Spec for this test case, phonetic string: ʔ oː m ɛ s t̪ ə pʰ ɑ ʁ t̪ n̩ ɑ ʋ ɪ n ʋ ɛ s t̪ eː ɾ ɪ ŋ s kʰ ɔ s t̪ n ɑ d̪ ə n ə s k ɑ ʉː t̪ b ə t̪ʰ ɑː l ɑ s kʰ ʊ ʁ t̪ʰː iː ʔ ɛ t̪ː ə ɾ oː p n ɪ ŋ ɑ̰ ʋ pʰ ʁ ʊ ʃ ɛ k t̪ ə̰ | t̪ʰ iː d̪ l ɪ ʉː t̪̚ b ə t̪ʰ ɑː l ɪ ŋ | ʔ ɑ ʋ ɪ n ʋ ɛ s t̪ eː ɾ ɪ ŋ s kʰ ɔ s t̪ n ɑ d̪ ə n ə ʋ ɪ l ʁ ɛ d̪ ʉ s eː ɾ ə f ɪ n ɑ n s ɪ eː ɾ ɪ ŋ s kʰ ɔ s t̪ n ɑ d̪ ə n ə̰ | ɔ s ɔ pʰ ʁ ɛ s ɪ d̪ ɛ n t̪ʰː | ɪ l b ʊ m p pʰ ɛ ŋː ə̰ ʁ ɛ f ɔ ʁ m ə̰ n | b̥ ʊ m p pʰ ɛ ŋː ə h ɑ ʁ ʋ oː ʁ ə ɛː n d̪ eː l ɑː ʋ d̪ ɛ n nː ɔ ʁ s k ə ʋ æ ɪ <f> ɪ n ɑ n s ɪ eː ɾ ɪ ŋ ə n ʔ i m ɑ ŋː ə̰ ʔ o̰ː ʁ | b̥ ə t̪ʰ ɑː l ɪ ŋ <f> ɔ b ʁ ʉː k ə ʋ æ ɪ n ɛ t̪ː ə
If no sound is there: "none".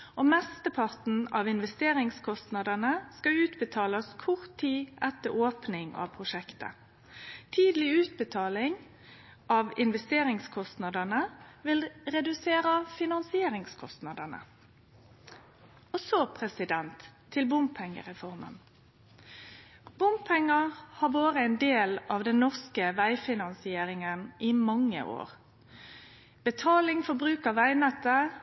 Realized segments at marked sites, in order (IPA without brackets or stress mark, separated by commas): f, f